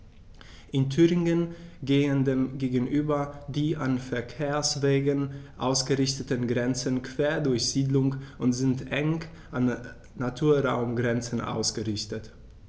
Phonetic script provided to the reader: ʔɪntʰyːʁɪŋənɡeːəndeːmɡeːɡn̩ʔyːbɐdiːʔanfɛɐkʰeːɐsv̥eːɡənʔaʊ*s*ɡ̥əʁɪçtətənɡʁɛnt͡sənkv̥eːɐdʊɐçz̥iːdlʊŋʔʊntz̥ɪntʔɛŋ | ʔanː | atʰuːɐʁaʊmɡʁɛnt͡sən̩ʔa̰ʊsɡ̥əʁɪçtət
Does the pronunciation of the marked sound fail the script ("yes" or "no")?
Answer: no